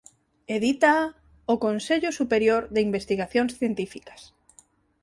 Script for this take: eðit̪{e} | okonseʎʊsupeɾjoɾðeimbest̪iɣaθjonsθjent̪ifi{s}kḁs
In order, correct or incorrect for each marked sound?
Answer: incorrect, incorrect

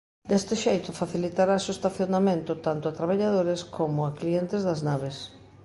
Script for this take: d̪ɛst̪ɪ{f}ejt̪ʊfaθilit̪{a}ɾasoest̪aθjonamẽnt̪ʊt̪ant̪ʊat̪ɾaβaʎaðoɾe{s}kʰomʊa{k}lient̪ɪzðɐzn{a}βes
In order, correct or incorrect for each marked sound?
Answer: incorrect, correct, correct, correct, correct

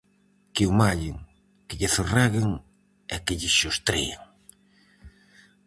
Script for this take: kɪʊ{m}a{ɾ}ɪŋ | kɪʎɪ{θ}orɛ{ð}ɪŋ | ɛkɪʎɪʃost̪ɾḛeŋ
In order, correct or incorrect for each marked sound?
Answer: correct, incorrect, correct, incorrect

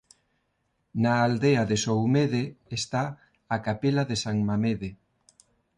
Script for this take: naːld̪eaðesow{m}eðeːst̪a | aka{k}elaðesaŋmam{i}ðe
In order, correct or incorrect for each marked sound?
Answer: correct, incorrect, incorrect

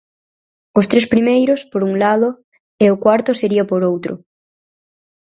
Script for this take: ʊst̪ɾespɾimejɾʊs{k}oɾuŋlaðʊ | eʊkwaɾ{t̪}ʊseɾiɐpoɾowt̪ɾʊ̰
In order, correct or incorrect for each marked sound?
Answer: incorrect, correct

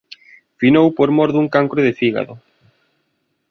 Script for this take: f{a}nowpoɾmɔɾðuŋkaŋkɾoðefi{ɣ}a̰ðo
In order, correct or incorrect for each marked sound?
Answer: incorrect, correct

